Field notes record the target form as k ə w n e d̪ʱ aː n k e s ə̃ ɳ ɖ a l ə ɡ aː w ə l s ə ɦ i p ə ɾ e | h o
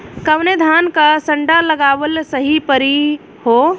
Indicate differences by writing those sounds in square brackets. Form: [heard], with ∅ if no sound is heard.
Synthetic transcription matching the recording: k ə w n e d̪ʱ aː n k [a] s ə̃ ɳ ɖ a l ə ɡ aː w ə l s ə ɦ i p ə ɾ [i] | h o